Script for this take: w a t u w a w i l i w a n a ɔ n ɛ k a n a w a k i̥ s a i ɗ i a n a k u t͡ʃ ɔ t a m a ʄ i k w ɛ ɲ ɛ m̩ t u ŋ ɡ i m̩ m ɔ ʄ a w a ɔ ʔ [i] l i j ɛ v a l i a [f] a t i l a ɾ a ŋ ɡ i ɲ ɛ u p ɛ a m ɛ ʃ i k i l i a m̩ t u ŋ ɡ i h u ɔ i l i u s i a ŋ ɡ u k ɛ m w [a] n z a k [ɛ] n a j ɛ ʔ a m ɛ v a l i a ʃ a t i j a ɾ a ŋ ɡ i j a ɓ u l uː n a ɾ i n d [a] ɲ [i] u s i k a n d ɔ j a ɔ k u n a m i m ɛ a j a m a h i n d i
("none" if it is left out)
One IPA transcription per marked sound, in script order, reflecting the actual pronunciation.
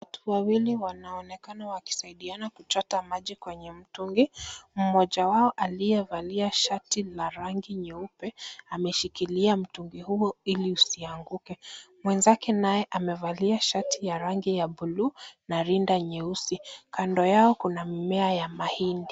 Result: a, ʃ, ɛ, ɛ, a, ɛ

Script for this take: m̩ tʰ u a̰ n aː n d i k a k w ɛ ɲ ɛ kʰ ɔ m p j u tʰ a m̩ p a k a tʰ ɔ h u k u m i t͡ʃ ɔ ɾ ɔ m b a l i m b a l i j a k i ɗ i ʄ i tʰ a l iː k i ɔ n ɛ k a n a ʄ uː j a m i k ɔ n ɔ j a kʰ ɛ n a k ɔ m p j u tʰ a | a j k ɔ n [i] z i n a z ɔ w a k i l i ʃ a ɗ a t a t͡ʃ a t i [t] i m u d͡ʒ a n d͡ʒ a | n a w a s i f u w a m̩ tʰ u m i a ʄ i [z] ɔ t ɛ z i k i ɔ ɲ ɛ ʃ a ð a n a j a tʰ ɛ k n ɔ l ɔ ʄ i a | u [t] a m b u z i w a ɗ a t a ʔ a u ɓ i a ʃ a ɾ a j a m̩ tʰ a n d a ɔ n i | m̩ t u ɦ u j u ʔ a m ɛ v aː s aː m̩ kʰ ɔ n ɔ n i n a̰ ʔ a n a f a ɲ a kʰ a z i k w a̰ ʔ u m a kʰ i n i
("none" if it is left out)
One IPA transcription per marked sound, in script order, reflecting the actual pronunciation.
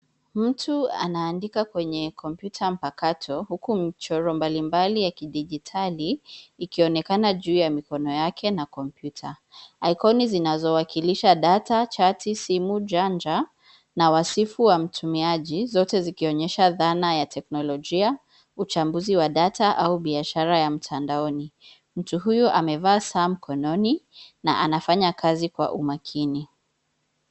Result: i, s, z, t͡ʃ

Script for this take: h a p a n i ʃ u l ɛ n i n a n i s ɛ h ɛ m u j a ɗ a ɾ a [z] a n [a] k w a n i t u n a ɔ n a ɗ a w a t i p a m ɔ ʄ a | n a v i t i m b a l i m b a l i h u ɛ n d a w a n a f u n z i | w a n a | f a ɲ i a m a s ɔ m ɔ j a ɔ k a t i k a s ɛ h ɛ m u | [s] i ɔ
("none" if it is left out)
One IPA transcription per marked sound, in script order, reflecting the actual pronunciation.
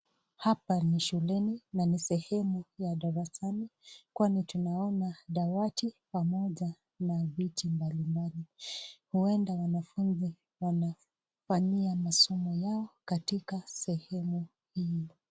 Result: s, i, h

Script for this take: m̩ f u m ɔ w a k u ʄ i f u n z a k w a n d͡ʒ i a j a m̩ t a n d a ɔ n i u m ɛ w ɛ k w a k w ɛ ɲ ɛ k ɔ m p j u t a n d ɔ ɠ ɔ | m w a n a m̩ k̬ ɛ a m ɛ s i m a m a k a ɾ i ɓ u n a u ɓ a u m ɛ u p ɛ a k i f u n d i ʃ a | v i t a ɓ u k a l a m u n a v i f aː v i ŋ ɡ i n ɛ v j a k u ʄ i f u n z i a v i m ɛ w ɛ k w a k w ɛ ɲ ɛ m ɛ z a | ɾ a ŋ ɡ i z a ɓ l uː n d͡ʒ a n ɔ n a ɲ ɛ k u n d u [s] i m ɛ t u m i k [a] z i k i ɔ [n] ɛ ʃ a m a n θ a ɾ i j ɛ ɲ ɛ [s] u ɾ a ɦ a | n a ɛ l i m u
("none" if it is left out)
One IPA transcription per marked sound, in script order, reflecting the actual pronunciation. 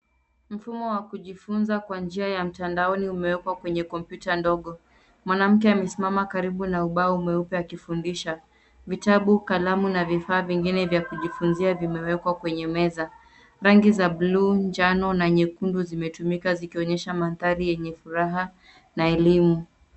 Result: z, a, ɲ, f

